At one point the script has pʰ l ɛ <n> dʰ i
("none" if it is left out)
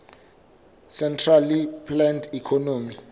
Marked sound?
n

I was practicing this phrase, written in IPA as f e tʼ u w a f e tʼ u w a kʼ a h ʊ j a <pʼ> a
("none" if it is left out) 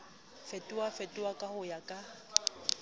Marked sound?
kʼ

